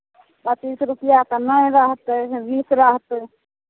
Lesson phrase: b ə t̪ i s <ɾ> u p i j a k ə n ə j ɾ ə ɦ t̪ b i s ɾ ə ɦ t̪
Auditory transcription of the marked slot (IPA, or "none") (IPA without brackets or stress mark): ɾ